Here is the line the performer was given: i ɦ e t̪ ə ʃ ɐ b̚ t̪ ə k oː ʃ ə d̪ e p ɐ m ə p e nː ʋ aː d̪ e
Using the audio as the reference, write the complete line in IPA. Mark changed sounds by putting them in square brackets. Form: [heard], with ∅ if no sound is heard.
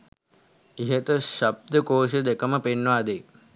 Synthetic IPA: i ɦ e t̪ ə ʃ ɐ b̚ [d̪] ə k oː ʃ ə d̪ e [k] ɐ m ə p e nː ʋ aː d̪ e

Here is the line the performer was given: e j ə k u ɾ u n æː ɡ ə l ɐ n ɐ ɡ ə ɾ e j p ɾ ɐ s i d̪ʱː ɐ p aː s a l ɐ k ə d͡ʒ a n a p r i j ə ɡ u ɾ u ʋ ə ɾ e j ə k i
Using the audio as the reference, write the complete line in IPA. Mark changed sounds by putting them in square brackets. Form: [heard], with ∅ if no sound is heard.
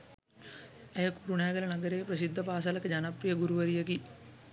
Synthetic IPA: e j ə k u ɾ u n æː ɡ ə l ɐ n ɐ ɡ ə ɾ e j p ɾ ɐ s i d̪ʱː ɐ p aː s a l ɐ k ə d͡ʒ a n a p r i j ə ɡ u ɾ u ʋ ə ɾ [i] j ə k i

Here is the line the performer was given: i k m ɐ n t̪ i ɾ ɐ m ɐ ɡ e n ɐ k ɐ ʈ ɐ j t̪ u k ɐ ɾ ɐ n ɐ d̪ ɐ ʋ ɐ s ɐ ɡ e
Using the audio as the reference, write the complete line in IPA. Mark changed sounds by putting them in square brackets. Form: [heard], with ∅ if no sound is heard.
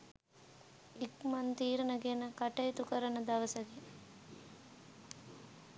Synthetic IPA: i k m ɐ n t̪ [iː] ɾ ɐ [n] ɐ ɡ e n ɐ k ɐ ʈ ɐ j t̪ u k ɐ ɾ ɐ n ɐ d̪ ɐ ʋ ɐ s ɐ ɡ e

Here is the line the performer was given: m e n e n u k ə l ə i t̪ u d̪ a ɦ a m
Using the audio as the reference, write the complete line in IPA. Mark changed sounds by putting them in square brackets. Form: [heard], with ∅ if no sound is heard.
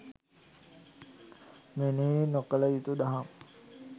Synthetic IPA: m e n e n [o] k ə l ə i t̪ u d̪ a ɦ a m

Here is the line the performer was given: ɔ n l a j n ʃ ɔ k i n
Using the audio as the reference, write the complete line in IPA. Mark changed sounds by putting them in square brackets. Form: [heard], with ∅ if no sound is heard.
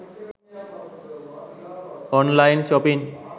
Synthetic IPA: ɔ n l a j n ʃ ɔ [p] i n

